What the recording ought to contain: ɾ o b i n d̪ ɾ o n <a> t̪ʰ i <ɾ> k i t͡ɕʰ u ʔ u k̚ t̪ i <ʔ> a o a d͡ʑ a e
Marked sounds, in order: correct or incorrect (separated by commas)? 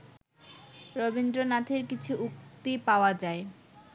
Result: correct, correct, incorrect